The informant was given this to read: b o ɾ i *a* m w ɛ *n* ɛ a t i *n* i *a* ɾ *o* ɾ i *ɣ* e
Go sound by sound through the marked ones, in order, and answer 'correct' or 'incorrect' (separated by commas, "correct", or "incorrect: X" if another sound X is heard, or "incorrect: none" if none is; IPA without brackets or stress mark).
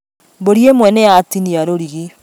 incorrect: e, correct, correct, correct, correct, correct